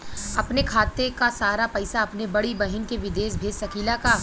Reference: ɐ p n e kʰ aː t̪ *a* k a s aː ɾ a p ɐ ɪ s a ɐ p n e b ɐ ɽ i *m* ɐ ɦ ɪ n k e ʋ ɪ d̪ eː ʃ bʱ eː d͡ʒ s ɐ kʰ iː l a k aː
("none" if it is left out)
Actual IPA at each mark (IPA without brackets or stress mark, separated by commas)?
e, b